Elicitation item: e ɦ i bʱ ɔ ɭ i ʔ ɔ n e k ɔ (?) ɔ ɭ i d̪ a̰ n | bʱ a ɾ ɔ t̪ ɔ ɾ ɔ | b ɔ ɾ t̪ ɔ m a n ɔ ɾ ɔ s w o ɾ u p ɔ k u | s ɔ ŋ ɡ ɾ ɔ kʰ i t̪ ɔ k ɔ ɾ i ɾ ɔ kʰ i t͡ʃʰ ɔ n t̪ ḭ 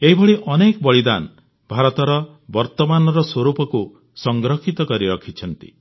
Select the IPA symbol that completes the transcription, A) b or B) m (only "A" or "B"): A